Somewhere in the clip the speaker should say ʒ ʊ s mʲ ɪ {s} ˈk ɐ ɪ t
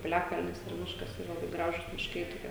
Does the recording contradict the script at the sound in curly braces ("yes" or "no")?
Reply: yes